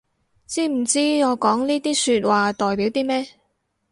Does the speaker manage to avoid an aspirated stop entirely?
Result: yes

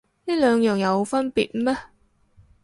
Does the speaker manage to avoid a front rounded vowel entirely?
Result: no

